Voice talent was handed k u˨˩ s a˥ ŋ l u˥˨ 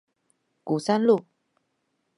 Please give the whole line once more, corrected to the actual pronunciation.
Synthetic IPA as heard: k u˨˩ s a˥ n l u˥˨